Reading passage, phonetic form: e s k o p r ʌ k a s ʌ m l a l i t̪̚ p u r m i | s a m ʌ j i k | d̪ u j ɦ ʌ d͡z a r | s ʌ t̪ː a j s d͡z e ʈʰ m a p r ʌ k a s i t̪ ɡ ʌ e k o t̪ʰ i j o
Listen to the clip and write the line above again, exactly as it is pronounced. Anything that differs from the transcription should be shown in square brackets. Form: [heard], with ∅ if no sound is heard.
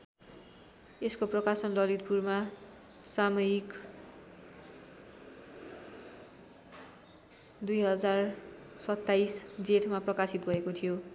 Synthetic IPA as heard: e s k o p r ʌ k a s ʌ [n] l [ʌ] l i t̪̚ p u r m [a] | s a m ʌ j i k | d̪ u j ɦ ʌ d͡z a r | s ʌ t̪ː a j s d͡z e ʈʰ m a p r ʌ k a s i t̪ ɡ ʌ e k o t̪ʰ i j o